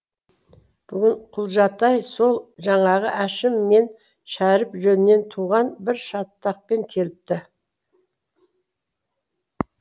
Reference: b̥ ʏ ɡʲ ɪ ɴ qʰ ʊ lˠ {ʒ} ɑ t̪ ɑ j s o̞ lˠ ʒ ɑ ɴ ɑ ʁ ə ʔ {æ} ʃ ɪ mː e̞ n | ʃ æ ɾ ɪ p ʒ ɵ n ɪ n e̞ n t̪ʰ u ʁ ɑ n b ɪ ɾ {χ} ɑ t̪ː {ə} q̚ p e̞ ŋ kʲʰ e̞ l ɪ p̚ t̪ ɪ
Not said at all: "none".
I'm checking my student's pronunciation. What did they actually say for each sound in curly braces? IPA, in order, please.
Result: ʒ, æ, ʃ, ɑ

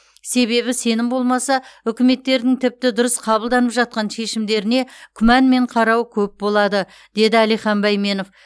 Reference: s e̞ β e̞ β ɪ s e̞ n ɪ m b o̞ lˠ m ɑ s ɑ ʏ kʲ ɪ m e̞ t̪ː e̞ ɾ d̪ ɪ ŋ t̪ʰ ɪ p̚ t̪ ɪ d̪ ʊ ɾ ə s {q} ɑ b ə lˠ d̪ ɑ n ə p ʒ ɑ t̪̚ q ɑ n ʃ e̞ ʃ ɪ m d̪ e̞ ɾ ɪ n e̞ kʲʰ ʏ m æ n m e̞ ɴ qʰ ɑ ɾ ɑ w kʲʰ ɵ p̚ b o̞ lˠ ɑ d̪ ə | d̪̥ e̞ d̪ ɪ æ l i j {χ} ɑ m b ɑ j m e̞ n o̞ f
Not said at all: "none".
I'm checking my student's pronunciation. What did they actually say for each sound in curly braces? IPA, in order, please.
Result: qʰ, χ

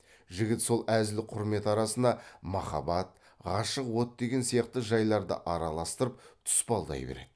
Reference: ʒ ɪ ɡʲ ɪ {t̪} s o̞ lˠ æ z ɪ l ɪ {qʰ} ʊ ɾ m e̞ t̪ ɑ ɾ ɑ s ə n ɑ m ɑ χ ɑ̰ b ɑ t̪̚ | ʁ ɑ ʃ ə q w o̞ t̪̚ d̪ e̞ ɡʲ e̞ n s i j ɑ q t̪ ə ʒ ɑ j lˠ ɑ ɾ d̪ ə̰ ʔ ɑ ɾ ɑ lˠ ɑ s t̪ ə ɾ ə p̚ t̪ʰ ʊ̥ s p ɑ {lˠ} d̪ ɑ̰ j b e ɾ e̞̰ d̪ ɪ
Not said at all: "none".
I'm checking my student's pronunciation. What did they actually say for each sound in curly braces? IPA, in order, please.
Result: t̪, qʰ, lˠ

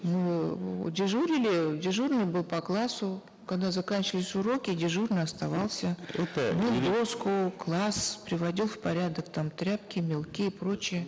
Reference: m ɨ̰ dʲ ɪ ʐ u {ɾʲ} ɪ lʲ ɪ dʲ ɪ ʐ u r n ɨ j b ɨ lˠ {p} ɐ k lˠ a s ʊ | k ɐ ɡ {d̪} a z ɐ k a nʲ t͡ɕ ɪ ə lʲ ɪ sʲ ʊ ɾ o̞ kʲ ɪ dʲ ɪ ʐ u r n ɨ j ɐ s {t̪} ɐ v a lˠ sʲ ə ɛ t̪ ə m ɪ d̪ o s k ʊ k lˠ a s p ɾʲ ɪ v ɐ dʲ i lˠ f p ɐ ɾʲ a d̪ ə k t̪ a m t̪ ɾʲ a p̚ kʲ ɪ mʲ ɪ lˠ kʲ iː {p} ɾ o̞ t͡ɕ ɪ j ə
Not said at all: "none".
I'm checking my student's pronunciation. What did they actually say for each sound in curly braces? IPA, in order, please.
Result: ɾʲ, p, d̪, t̪, p

